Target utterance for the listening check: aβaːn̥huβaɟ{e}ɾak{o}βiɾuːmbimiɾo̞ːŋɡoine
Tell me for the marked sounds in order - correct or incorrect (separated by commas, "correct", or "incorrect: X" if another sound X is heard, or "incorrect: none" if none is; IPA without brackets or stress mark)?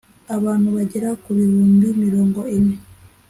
correct, incorrect: u